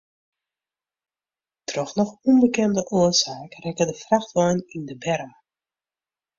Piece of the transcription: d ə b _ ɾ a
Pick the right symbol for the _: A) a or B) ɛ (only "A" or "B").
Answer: B